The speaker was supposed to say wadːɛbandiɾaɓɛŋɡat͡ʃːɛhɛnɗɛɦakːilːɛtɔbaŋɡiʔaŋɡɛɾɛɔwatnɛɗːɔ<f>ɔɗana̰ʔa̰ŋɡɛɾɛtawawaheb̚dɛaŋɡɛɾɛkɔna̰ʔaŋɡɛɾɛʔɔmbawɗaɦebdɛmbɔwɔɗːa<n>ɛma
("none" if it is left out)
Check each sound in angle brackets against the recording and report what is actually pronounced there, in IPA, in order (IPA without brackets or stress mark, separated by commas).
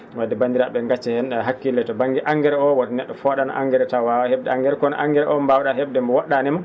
f, n